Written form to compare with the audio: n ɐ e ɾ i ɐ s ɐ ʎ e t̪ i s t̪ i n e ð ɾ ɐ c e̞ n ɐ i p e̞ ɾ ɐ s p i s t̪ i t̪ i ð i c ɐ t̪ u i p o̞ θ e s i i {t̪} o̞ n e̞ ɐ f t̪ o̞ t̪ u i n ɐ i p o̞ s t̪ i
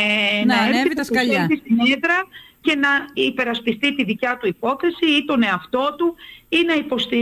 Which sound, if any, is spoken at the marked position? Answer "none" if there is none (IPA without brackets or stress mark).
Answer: t̪